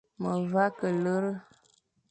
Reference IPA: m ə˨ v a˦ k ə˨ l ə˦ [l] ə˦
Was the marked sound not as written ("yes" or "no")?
yes